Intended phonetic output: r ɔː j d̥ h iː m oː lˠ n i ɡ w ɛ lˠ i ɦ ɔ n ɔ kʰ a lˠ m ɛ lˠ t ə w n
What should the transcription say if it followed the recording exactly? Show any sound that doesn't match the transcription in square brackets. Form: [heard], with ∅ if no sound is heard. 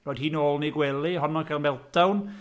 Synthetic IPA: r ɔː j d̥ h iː [n] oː lˠ n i ɡ w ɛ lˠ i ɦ ɔ n ɔ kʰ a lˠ m ɛ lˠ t [a] w n